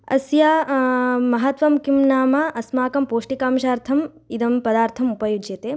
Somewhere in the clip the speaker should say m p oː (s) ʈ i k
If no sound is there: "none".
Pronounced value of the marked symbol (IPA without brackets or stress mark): ʂ